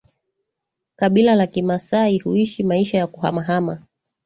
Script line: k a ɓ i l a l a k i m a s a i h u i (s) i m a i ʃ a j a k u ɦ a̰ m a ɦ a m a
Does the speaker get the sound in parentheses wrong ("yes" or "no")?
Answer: yes